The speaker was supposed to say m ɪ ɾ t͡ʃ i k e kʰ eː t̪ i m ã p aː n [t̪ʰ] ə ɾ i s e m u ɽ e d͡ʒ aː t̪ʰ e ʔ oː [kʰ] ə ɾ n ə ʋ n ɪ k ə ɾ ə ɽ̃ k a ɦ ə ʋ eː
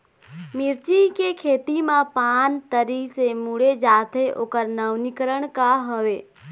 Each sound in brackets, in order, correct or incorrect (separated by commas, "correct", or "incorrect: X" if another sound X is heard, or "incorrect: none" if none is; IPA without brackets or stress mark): incorrect: t̪, incorrect: k